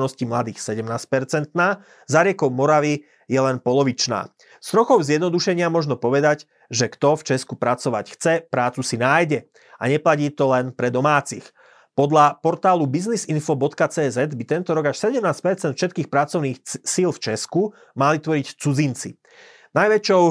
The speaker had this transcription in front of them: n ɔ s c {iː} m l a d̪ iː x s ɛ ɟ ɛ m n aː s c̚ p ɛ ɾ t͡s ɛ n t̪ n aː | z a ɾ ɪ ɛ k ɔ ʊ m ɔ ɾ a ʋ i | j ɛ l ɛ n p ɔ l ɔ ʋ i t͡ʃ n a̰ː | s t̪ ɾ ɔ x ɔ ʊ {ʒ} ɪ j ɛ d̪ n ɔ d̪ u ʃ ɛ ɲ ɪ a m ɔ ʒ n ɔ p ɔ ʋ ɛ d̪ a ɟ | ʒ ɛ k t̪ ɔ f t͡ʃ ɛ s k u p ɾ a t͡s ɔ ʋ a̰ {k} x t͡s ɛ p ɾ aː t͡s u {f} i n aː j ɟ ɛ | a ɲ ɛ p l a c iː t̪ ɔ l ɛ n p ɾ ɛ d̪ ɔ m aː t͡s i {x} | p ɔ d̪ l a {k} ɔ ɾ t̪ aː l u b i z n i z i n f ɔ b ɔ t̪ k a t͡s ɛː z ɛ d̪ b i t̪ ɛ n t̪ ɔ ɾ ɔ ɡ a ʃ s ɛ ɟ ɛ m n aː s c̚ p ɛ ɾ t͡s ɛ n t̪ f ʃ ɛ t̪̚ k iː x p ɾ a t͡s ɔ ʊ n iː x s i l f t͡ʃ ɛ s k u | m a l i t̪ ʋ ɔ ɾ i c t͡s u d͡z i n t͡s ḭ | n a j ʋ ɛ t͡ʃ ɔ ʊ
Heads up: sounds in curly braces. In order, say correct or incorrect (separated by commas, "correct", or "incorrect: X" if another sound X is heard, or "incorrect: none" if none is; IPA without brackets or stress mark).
incorrect: i, incorrect: z, incorrect: c, incorrect: s, correct, incorrect: p